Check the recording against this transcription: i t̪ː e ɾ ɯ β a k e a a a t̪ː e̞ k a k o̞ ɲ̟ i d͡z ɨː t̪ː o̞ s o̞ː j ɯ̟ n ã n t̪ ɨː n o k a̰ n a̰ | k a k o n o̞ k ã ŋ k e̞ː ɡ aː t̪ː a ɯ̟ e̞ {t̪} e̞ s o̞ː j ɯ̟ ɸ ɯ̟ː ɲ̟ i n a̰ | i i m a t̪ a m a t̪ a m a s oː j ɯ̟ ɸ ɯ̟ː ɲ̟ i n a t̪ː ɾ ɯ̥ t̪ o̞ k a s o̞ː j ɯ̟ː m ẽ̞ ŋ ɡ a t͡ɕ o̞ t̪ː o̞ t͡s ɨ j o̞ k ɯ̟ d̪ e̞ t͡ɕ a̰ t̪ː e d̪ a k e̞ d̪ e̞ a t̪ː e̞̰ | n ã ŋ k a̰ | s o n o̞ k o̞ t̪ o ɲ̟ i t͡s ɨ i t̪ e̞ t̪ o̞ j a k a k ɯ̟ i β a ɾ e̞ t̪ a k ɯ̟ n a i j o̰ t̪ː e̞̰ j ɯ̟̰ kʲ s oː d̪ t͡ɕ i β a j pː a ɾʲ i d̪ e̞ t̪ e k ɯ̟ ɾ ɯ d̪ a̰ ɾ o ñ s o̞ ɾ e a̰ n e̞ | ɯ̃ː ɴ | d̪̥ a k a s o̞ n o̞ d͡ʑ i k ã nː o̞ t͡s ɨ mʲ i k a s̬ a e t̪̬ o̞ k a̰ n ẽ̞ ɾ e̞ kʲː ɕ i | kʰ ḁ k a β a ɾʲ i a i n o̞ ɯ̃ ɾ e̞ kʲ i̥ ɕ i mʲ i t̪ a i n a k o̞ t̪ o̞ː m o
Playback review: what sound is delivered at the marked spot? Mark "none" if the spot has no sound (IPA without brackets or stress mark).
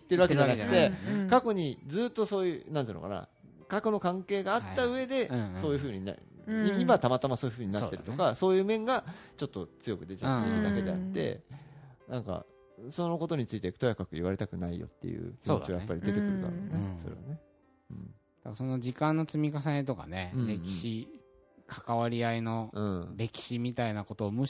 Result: d̪